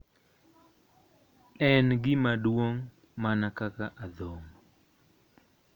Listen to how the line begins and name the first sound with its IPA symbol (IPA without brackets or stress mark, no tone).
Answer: ɛ